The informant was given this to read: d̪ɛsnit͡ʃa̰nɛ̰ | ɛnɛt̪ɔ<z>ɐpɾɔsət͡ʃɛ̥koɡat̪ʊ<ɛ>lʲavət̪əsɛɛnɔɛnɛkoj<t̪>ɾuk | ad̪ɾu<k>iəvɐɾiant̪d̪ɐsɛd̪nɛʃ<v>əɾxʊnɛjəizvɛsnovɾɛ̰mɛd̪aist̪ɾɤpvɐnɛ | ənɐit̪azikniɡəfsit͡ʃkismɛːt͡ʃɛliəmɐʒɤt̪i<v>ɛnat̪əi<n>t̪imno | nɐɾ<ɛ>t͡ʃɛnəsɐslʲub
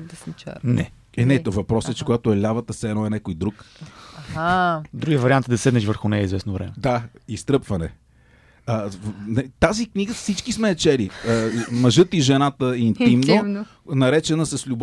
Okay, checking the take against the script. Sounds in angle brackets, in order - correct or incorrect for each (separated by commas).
incorrect, correct, incorrect, incorrect, correct, incorrect, correct, correct